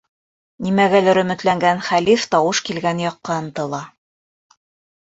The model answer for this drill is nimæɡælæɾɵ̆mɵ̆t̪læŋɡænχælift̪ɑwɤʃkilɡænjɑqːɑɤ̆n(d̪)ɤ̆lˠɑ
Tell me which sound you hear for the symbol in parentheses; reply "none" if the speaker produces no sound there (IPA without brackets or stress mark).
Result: t̪